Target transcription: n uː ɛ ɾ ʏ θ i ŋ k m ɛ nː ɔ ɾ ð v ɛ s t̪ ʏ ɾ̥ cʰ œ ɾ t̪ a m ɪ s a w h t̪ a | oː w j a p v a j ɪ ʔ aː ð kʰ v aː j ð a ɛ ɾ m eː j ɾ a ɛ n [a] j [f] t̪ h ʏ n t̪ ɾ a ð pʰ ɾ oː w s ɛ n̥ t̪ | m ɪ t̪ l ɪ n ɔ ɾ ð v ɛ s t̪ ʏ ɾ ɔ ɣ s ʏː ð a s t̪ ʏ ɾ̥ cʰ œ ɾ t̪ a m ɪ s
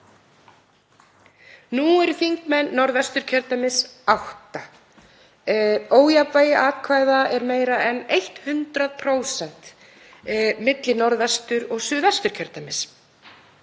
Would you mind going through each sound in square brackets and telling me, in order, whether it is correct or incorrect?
incorrect, incorrect

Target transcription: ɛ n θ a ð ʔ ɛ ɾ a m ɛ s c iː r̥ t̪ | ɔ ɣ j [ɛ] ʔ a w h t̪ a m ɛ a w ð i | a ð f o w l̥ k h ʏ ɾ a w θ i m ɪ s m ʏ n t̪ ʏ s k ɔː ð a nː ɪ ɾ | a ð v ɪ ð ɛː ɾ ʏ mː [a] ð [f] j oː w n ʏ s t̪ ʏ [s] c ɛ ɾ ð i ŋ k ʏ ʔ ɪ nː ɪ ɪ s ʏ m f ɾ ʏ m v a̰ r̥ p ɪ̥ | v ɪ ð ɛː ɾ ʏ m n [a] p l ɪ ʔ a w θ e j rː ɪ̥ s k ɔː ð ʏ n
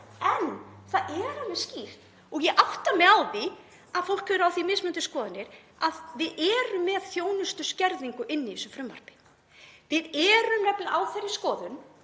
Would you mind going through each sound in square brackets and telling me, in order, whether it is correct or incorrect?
correct, incorrect, incorrect, correct, incorrect

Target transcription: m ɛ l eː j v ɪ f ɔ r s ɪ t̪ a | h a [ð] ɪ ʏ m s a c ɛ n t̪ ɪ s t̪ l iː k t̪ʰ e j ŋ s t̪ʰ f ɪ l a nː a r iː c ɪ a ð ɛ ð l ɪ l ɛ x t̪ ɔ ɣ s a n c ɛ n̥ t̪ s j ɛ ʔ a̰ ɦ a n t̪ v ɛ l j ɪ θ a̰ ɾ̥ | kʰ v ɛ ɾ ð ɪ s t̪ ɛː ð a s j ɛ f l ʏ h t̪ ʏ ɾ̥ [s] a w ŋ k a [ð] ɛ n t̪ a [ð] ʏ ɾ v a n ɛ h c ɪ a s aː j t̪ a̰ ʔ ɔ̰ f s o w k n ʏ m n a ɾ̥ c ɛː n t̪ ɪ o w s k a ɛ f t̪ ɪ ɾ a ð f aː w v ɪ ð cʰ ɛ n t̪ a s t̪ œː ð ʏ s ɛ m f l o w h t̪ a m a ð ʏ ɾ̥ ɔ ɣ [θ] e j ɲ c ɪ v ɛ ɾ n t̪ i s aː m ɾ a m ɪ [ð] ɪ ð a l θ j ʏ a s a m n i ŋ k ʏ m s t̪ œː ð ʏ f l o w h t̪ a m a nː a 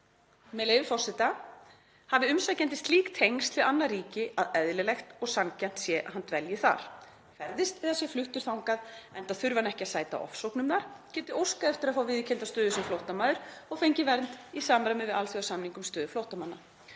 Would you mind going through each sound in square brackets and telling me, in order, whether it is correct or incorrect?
incorrect, incorrect, correct, incorrect, incorrect, incorrect

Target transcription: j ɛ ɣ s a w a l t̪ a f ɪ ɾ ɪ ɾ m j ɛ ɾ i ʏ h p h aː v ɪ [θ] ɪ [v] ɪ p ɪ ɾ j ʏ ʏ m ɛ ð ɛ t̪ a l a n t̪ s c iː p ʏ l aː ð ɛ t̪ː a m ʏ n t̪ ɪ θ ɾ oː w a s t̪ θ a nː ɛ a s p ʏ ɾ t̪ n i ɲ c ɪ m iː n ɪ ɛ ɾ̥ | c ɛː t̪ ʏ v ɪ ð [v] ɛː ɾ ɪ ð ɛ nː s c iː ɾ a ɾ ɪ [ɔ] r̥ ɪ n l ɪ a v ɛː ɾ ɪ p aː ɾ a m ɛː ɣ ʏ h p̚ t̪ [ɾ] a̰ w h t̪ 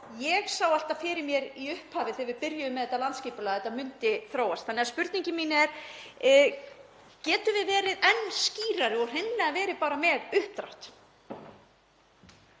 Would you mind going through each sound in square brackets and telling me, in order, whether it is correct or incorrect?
correct, correct, correct, correct, correct

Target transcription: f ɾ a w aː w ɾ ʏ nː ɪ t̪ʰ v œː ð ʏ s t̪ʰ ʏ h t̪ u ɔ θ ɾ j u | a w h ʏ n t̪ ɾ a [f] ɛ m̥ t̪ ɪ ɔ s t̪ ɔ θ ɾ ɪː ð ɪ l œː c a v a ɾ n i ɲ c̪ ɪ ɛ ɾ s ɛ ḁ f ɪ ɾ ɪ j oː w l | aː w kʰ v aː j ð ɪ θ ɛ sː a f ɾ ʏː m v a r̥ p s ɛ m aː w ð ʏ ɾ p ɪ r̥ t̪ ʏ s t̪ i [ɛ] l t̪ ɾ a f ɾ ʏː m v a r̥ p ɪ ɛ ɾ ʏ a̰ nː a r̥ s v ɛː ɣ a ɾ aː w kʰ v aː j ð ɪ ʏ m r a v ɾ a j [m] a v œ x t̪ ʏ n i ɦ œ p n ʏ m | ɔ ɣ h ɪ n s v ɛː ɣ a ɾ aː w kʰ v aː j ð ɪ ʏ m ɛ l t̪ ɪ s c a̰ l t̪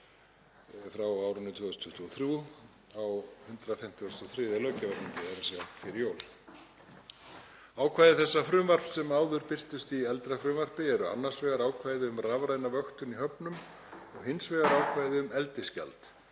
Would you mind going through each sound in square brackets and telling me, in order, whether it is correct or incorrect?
correct, correct, incorrect

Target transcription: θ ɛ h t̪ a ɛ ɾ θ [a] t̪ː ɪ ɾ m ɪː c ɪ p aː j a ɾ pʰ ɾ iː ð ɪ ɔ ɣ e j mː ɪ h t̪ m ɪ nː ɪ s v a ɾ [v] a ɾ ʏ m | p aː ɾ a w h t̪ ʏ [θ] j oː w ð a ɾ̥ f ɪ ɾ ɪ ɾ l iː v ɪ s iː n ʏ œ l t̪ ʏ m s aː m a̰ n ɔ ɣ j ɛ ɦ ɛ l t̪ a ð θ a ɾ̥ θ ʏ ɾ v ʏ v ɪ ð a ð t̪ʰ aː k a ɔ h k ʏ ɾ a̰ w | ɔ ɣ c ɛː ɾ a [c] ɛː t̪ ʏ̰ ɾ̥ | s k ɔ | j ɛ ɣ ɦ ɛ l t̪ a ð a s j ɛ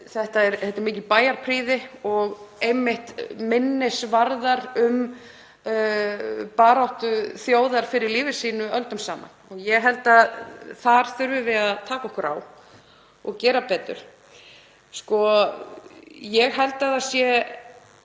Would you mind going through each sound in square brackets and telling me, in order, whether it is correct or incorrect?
incorrect, incorrect, correct, incorrect

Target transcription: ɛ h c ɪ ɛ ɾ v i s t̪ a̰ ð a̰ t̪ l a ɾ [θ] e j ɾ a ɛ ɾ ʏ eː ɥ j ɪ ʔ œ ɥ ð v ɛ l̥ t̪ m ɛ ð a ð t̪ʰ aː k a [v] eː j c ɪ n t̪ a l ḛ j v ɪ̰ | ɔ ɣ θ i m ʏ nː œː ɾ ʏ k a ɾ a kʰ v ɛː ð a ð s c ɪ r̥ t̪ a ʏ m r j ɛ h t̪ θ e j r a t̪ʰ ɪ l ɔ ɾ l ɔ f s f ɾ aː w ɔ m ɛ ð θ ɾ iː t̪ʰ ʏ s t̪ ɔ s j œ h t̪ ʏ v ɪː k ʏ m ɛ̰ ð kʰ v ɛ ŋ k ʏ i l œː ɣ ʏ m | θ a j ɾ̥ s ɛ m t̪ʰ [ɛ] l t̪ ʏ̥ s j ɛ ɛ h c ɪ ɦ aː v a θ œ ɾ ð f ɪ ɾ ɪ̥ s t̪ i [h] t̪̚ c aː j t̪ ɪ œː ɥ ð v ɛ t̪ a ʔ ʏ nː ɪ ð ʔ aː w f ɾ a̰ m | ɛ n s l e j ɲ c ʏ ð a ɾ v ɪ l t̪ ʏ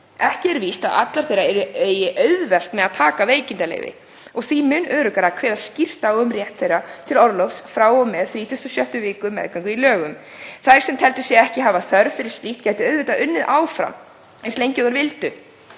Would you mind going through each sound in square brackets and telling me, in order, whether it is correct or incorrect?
correct, correct, correct, correct

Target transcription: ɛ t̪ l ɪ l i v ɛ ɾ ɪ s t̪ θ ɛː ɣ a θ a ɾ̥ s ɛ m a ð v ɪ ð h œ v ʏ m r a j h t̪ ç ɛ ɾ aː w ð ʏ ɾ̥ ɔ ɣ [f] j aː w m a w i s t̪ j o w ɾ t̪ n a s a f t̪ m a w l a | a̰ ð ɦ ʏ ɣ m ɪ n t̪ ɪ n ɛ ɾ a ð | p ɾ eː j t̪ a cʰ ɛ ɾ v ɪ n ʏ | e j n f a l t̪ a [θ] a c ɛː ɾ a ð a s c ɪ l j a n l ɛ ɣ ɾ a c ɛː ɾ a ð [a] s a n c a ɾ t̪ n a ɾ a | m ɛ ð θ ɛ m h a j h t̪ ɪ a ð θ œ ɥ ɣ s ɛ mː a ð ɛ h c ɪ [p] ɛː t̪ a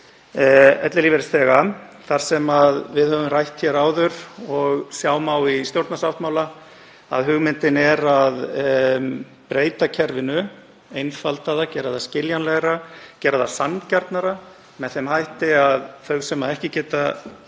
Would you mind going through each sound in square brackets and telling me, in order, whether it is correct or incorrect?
incorrect, incorrect, correct, incorrect

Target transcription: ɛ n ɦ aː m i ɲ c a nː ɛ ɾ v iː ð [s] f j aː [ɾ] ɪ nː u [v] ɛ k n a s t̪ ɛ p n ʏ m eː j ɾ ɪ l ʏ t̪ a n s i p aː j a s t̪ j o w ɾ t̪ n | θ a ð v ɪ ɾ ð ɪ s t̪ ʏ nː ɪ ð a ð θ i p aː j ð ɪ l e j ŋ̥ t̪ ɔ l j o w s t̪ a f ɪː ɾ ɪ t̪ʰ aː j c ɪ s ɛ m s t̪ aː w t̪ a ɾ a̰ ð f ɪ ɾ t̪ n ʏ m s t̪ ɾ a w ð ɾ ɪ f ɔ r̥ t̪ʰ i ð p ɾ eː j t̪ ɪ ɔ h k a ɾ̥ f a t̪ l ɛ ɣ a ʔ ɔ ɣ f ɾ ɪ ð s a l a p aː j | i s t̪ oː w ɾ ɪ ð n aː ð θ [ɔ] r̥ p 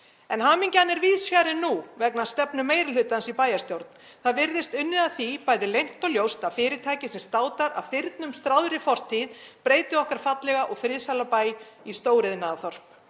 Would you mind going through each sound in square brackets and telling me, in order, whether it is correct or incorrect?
correct, correct, correct, correct

